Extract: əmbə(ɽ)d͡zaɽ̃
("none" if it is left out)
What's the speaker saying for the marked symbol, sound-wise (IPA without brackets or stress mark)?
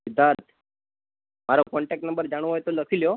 ɾ